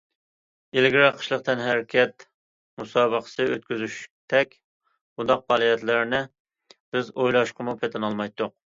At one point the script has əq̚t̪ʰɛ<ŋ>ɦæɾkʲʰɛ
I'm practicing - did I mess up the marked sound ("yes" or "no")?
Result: yes